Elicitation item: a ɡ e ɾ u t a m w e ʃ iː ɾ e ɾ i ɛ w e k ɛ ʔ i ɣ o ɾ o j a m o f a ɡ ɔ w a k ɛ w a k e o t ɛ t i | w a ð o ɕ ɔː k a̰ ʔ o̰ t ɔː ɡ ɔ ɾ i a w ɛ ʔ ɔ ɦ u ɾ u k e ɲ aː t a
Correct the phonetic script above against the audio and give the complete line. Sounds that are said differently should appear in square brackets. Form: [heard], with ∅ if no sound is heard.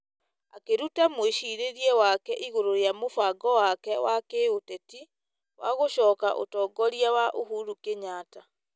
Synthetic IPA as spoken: a [k] e ɾ u t a m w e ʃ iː ɾ e ɾ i ɛ w [a] k ɛ ʔ i ɣ o ɾ o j a m o f a ɡ ɔ w a k ɛ w a k e o t ɛ t i | w a [ɣ] o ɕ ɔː k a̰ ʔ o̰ t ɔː ɡ ɔ ɾ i a w [a] ʔ [o] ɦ u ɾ u k e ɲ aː t a